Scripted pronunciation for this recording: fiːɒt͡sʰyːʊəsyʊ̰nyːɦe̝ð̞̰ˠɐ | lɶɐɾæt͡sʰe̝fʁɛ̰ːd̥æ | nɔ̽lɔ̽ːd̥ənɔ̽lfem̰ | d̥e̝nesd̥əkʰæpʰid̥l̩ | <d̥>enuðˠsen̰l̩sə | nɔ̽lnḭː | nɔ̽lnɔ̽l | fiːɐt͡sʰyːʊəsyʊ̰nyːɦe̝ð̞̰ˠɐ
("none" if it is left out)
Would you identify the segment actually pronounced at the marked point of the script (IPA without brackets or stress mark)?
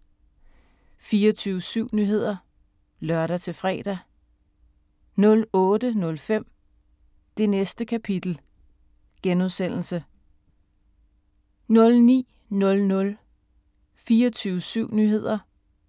ɡ̥